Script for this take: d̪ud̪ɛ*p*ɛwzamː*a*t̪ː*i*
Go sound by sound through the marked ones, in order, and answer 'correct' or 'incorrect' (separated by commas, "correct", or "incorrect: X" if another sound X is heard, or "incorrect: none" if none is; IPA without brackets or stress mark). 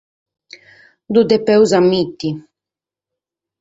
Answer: correct, incorrect: i, correct